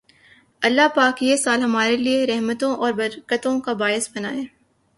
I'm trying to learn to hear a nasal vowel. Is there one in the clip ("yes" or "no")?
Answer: yes